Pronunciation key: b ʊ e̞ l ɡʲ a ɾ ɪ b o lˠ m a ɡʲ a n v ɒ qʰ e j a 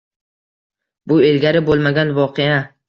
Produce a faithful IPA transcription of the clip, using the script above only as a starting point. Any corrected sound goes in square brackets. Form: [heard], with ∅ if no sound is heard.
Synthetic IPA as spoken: b ʊ e̞ l ɡʲ a ɾ ɪ b o lˠ m a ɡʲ a n v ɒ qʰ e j a